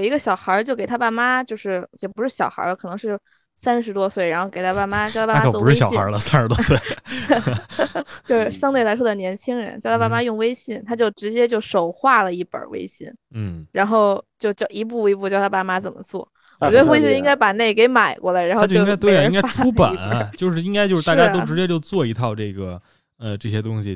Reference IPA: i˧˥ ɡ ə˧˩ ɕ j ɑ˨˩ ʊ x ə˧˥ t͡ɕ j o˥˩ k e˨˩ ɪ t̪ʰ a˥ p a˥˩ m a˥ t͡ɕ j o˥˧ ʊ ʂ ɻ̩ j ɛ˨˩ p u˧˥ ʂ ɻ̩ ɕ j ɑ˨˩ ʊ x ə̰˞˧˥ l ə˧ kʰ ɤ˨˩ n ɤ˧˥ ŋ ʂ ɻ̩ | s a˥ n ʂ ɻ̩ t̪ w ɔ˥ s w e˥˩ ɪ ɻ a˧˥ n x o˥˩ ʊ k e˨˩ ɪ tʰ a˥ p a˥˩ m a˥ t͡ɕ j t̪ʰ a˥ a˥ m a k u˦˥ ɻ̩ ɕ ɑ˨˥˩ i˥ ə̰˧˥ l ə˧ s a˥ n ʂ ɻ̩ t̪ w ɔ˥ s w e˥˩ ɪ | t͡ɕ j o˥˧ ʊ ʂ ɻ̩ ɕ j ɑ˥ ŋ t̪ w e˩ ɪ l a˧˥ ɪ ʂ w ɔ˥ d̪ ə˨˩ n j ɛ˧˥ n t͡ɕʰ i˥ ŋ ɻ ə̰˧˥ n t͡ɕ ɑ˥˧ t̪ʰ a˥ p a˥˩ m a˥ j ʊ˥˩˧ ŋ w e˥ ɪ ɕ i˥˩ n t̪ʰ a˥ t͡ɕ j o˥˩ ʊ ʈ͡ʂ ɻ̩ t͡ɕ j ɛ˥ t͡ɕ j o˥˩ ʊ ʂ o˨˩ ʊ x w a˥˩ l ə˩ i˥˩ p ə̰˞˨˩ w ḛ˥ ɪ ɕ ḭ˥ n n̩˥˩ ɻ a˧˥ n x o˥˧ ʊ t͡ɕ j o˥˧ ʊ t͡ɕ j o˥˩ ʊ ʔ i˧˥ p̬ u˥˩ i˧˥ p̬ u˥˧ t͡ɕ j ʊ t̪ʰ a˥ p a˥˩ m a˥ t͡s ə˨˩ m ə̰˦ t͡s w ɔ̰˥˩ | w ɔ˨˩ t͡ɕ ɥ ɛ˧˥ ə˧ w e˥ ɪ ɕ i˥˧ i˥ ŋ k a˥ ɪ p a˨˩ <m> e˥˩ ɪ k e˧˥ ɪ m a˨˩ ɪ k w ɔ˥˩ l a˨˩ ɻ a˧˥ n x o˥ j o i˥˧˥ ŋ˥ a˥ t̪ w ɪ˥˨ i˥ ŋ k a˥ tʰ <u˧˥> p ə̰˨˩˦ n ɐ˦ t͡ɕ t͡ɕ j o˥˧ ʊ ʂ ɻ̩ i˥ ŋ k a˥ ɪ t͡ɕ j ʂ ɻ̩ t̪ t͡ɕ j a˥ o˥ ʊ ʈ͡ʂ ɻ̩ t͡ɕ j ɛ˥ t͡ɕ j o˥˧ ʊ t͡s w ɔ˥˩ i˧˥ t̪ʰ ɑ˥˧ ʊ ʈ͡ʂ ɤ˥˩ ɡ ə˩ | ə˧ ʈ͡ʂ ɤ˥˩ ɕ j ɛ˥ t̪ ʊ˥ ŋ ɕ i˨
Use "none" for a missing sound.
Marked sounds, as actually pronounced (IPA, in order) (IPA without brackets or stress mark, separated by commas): n, u˥